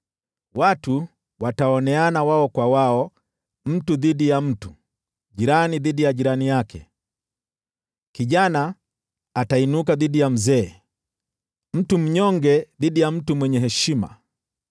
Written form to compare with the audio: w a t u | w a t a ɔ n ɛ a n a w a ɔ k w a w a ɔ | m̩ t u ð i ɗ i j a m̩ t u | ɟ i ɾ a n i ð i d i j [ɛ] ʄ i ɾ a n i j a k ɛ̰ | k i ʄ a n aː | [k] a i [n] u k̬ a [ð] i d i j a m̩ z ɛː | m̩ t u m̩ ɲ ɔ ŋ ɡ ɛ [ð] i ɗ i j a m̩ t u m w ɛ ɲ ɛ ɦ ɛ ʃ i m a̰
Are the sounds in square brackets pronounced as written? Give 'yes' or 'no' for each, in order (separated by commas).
no, no, yes, yes, yes